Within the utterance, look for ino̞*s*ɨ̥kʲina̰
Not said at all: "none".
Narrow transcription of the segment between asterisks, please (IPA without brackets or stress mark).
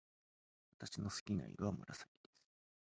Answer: s